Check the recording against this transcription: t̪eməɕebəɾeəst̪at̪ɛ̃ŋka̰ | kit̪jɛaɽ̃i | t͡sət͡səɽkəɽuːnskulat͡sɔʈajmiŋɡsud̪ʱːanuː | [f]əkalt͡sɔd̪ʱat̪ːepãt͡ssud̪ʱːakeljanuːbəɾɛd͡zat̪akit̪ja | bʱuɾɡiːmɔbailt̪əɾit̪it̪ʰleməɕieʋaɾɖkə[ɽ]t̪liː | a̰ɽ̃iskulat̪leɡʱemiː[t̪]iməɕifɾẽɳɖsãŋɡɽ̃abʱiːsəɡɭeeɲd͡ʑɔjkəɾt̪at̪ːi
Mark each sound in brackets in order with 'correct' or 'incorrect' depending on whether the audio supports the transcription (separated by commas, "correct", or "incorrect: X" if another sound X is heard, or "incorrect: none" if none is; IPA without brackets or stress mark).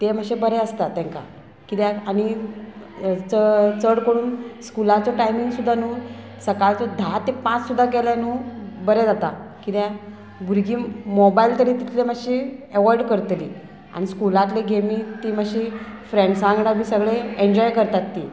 incorrect: s, incorrect: ɾ, correct